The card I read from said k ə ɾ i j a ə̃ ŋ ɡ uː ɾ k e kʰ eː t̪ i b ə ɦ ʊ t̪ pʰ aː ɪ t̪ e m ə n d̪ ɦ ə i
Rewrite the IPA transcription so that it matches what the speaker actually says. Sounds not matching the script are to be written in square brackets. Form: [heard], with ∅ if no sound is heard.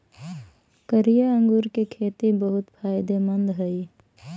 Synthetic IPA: k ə ɾ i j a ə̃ ŋ ɡ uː ɾ k e kʰ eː t̪ i b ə ɦ ʊ t̪ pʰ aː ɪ [d̪] e m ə n d̪ ɦ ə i